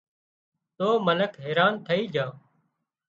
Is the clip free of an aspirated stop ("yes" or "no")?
no